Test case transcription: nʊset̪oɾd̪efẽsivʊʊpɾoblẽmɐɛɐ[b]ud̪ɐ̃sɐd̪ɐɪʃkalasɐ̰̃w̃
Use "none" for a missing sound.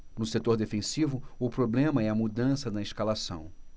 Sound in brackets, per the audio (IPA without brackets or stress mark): m